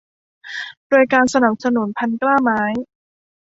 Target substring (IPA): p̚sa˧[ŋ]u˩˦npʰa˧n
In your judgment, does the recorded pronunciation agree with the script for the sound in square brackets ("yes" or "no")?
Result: no